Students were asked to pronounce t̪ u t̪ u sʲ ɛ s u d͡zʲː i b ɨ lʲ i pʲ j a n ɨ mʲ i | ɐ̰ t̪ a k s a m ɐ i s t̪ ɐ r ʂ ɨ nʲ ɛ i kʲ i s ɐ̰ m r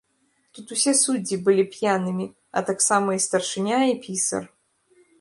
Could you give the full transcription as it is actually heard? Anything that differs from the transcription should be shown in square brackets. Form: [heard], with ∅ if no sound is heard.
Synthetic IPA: t̪ u t̪ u sʲ ɛ s u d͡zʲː i b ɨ lʲ i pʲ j a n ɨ mʲ i | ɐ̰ t̪ a k s a m ɐ i s t̪ ɐ r ʂ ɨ nʲ [a] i [pʲ] i s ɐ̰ [∅] r